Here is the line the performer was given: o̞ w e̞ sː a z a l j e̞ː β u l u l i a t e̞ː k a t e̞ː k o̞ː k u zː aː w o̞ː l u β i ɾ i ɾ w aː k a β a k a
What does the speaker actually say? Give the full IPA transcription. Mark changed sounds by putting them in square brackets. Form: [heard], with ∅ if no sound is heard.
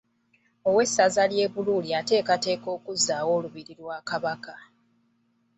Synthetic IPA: o̞ w e̞ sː a z a l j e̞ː β u l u l i a t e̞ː k a t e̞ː k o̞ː k u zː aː w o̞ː l u β i ɾ i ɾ w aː k a β a k a